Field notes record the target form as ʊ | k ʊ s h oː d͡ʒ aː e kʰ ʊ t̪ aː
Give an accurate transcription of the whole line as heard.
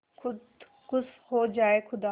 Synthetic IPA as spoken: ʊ | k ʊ s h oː d͡ʒ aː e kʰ ʊ d̪ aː